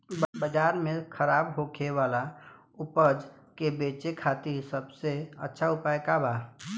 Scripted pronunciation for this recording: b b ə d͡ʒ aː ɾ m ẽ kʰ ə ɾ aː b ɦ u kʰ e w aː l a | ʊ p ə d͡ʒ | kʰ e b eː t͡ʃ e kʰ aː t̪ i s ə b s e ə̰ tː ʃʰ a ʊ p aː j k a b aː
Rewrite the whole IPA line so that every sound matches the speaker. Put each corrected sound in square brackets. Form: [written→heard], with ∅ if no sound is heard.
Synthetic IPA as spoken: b b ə d͡ʒ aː ɾ m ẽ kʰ ə ɾ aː b ɦ [u→o] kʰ e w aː l a | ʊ p ə d͡ʒ | [kʰ→k] e b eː t͡ʃ e kʰ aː t̪ i s ə b s e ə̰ tː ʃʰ a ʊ p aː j k a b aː